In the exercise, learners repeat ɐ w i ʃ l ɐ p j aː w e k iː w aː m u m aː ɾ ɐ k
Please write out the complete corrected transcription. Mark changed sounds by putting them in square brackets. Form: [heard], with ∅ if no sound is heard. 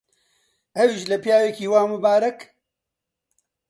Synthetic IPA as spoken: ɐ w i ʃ l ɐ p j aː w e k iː w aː m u [b] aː ɾ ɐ k